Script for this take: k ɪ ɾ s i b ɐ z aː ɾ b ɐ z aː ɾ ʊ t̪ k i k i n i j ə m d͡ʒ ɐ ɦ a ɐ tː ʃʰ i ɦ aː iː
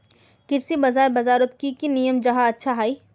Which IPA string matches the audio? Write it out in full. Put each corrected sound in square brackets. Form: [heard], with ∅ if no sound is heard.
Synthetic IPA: k ɪ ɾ s i b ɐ z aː ɾ b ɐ z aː ɾ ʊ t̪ k i k i n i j ə m d͡ʒ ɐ ɦ a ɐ tː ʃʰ [a] ɦ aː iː